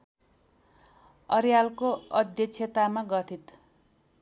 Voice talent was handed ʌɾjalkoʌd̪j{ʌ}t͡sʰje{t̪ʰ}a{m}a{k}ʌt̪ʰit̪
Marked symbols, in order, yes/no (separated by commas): yes, no, yes, no